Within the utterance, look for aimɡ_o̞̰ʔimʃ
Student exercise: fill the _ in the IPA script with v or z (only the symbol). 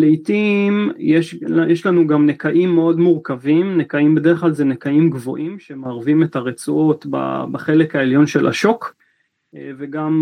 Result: v